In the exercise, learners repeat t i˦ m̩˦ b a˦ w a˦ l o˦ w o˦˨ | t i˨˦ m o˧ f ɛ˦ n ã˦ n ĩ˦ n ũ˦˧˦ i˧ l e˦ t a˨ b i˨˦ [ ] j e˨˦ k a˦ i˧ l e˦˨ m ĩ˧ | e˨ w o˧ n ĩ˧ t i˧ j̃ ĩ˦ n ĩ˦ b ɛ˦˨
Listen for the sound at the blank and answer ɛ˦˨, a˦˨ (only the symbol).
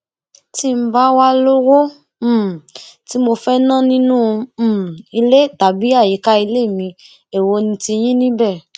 a˦˨